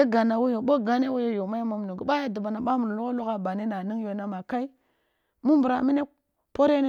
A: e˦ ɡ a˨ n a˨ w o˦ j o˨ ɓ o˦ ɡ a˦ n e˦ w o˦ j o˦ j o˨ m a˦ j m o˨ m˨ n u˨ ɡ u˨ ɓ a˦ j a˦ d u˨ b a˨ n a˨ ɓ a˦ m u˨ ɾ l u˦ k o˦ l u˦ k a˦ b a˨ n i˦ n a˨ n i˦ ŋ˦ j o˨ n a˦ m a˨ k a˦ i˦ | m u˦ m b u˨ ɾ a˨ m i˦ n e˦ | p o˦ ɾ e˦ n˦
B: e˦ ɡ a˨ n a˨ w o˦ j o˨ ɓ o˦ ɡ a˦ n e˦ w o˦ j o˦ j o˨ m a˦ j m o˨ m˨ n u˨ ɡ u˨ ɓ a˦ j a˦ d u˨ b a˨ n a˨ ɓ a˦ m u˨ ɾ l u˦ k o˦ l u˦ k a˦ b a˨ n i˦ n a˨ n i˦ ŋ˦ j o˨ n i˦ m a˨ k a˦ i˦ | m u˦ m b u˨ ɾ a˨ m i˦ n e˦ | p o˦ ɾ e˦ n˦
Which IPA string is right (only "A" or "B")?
A